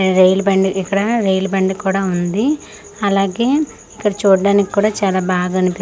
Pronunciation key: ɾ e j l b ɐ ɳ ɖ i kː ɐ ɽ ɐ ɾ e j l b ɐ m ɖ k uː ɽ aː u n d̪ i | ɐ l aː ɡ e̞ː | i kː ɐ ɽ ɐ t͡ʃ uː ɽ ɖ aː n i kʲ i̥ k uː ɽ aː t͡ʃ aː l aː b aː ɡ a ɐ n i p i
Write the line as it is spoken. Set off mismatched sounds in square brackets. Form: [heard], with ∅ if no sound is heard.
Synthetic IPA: ɾ e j l b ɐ ɳ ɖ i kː ɐ ɽ ɐ ɾ e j l b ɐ [ɳ] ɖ k uː ɽ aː u n d̪ i | ɐ l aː ɡ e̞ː | i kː ɐ ɽ ɐ t͡ʃ uː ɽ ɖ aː n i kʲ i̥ k uː ɽ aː t͡ʃ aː l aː b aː ɡ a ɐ n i p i